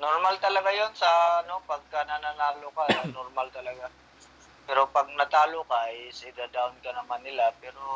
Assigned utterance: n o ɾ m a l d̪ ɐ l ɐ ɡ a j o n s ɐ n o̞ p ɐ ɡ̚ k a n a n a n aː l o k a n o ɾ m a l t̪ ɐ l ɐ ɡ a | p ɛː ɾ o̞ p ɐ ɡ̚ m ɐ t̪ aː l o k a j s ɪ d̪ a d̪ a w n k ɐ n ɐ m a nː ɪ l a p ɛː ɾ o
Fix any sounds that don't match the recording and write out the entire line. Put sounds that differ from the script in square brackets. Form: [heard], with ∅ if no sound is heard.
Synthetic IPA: n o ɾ m a l [t̪] ɐ l ɐ ɡ a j o n s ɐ n o̞ p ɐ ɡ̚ k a n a n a n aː l o k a n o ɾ m a l t̪ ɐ l ɐ ɡ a | p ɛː ɾ o̞ p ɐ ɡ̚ [n] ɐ t̪ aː l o k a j s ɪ d̪ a d̪ a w n k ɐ n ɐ m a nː ɪ l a p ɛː ɾ o